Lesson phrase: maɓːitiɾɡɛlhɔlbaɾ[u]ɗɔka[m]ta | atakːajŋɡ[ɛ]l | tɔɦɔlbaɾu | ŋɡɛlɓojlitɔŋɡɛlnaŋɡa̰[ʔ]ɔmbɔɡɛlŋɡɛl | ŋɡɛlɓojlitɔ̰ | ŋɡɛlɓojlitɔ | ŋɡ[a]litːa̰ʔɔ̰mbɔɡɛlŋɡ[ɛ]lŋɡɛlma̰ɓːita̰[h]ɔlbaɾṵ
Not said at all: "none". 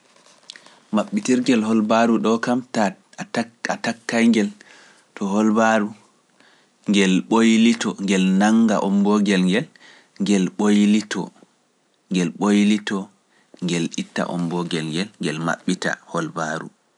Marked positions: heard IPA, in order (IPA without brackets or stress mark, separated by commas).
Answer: u, m, ɛ, ʔ, ɛ, ɛ, h